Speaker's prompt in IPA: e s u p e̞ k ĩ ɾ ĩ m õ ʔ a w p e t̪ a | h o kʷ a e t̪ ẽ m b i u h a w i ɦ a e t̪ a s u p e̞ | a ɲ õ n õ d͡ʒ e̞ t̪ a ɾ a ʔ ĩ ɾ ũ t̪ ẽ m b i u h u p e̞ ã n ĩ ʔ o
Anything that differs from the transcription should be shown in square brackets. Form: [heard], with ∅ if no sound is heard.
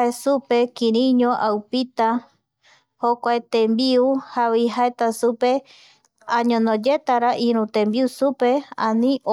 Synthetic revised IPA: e s u p e̞ k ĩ ɾ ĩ [ɲ] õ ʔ a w p [i] t̪ a | h o kʷ a e t̪ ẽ m b i u h a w i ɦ a e t̪ a s u p e̞ | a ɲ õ n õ d͡ʒ e̞ t̪ a ɾ a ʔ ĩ ɾ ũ t̪ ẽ m b i u [s] u p e̞ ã n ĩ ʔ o